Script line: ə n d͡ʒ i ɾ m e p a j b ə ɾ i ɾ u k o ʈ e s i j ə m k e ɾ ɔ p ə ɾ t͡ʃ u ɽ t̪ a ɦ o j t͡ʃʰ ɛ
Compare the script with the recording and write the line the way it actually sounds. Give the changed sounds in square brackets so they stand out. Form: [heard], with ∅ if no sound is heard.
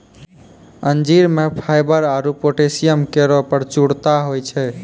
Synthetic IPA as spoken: ə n d͡ʒ i ɾ m e [pʰ] a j b ə ɾ [a] ɾ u [p] o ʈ e s i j ə m k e ɾ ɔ p ə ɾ t͡ʃ u ɽ t̪ a ɦ o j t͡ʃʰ ɛ